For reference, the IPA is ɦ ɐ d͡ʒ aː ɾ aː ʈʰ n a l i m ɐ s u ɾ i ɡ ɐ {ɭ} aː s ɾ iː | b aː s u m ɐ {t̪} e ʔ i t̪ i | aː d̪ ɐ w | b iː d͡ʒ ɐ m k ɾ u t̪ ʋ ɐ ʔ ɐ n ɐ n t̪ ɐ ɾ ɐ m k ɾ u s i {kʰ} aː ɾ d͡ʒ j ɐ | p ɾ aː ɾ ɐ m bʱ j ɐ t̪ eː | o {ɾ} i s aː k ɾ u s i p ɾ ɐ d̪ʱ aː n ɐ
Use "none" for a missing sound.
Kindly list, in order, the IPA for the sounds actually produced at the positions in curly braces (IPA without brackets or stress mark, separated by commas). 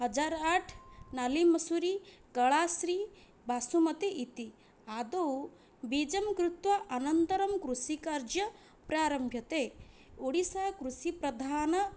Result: ɭ, t̪, k, ɽ